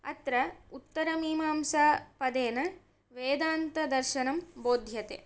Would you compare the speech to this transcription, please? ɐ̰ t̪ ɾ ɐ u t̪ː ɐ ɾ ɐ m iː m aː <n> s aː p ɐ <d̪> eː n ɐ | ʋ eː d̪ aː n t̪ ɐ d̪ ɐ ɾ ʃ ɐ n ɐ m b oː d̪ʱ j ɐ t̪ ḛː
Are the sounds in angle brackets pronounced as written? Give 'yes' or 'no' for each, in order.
no, yes

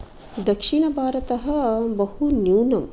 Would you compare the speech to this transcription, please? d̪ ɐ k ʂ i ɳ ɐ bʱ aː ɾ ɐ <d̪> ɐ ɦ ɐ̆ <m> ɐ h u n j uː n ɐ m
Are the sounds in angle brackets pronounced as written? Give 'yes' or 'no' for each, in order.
no, no

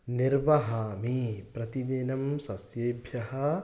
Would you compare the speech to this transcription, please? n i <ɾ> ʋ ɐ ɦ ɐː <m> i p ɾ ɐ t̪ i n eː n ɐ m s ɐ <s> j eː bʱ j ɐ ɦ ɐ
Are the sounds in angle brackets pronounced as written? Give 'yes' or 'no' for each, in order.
yes, yes, yes

